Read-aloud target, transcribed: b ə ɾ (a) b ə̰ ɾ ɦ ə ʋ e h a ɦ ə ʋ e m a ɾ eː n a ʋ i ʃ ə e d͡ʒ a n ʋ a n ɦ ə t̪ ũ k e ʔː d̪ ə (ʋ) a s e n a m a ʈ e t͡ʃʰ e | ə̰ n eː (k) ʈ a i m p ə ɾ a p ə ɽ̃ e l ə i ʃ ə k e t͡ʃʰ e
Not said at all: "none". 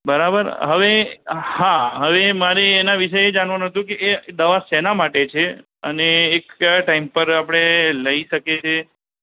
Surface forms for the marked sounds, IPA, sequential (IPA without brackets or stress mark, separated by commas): a, ʋ, k